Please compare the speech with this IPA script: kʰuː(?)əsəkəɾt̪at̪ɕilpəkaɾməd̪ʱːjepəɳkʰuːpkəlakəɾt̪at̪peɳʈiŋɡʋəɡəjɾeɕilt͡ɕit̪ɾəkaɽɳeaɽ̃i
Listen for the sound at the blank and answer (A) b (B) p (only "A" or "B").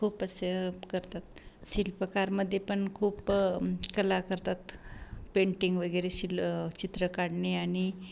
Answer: B